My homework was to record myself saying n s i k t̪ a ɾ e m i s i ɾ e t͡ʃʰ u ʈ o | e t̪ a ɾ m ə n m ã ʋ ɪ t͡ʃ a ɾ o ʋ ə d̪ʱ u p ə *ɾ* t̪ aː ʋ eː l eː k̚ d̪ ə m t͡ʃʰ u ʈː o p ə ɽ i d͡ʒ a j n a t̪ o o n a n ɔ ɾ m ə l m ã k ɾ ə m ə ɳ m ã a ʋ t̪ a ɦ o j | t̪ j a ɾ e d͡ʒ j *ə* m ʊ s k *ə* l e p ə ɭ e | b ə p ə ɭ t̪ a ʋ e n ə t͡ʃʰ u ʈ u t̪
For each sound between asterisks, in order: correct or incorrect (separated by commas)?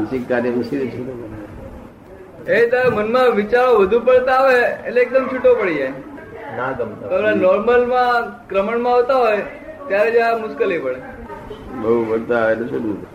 incorrect, incorrect, correct